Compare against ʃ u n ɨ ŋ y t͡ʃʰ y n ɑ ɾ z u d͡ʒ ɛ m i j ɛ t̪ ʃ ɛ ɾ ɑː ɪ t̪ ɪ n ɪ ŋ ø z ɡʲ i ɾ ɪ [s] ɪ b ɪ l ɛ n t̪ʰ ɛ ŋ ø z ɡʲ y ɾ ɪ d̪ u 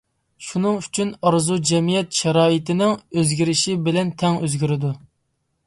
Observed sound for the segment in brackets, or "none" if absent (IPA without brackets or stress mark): ʃ